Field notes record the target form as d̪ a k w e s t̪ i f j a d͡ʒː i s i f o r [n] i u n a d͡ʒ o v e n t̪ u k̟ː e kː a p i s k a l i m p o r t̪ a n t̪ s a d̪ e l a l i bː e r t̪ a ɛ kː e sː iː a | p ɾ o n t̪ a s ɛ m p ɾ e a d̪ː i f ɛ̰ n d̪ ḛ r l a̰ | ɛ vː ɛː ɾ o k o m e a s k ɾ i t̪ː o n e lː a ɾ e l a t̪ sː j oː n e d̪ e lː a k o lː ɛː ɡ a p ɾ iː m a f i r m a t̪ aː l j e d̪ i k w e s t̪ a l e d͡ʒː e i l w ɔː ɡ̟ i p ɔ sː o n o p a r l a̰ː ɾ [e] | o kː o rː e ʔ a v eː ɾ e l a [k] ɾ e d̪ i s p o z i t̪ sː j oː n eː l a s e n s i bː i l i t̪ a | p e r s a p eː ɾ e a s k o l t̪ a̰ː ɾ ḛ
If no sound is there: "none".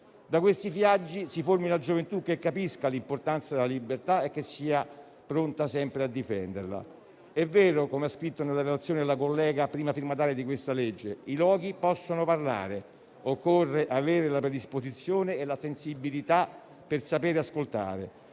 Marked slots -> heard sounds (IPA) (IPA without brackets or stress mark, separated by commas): m, e, p